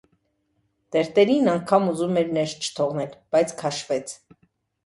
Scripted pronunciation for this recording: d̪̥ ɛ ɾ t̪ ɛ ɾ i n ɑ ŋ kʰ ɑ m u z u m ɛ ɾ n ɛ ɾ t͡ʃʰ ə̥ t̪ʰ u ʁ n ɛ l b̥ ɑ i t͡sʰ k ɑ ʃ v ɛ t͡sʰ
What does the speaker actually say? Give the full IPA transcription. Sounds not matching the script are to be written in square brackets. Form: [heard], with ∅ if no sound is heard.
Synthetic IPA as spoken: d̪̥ ɛ ɾ t̪ ɛ ɾ i n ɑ ŋ kʰ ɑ m u z u m ɛ ɾ n ɛ ɾ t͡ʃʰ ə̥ t̪ʰ [ɔ] ʁ n ɛ l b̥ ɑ [j] t͡sʰ [kʰ] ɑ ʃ v ɛ t͡sʰ